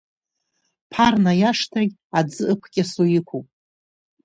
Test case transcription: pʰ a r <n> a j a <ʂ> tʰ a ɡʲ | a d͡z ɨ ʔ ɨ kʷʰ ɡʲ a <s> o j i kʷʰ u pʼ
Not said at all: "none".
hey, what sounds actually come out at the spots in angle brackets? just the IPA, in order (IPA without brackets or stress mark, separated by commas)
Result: n, ʂ, s